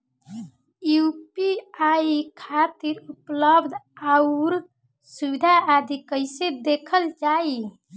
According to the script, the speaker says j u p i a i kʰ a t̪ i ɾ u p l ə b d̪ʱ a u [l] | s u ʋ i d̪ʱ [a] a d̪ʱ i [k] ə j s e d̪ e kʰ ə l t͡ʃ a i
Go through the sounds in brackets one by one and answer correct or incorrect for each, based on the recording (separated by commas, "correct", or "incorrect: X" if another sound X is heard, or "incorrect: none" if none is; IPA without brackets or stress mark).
incorrect: ɾ, correct, correct